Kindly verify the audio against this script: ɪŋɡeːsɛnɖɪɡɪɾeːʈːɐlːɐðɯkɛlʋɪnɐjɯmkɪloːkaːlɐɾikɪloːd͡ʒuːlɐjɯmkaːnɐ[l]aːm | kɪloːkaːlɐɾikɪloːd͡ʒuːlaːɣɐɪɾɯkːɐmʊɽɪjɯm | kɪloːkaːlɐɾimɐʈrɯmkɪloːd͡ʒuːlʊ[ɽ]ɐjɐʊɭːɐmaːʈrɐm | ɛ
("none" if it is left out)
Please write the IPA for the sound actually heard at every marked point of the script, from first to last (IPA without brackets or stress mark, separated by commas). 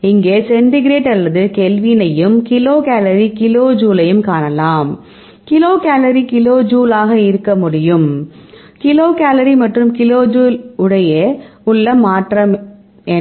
l, ɽ